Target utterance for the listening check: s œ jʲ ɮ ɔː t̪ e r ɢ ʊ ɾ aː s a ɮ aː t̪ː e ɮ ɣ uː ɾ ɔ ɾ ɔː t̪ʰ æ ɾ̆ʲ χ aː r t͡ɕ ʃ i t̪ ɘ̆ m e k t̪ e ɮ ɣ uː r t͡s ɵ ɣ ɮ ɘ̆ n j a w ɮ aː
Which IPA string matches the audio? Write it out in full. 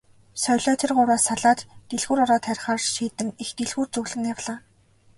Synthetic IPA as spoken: s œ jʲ ɮ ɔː t̪ʰ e r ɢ ʊ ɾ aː s a ɮ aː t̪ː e ɮ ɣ uː ɾ ɔ ɾ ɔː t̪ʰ æ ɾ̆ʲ χ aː r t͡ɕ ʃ iː t̪ ɘ̆ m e x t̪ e ɮ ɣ uː r t͡s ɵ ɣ ɮ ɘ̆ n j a w ɮ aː